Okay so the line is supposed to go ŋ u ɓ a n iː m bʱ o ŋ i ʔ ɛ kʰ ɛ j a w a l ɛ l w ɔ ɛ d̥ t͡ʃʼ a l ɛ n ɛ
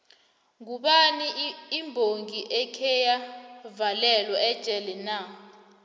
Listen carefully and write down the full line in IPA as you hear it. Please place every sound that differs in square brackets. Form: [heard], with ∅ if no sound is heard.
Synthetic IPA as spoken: ŋ u ɓ a n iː m bʱ o ŋ i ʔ ɛ kʰ ɛ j a [v] a l ɛ l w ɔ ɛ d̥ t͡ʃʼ [ɛ] l ɛ n [a]